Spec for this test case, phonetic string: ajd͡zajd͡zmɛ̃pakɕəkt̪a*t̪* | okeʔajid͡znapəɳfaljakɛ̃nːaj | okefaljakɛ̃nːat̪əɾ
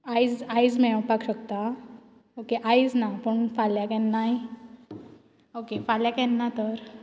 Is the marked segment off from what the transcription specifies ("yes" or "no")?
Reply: yes